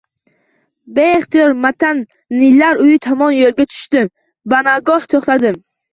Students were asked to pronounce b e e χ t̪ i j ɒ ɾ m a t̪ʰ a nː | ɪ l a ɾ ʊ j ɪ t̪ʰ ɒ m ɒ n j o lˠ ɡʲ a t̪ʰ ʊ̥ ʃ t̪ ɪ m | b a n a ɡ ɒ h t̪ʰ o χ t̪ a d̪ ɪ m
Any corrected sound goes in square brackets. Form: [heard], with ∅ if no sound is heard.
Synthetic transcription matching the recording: b e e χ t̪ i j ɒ ɾ m a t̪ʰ a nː | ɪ l a ɾ ʊ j ɪ t̪ʰ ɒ m ɒ n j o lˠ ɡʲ a t̪ʰ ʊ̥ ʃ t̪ ɪ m | b a n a ɡ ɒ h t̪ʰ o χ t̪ a d̪ ɪ m